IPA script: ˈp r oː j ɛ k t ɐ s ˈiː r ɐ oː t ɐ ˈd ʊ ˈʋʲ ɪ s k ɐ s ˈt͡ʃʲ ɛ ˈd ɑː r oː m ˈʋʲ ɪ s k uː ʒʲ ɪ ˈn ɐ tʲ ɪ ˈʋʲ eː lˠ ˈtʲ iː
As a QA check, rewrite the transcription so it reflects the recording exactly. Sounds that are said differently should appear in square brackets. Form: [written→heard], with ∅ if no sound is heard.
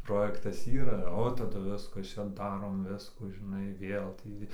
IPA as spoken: ˈp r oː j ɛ k t ɐ s ˈiː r ɐ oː t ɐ ˈd ʊ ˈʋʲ ɪ s k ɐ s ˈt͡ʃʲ ɛ ˈd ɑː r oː m ˈʋʲ ɪ s k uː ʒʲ ɪ ˈn ɐ [tʲ→∅] ɪ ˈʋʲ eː lˠ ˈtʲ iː